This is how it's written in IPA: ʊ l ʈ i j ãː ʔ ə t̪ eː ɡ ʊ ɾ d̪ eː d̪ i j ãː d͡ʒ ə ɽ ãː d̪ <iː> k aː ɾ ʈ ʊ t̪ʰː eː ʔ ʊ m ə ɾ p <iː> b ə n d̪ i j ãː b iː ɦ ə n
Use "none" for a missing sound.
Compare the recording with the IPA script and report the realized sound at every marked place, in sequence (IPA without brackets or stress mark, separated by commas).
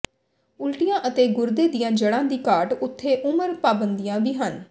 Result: iː, aː